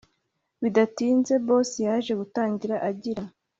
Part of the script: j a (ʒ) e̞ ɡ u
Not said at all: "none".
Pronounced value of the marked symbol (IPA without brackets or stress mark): ʒ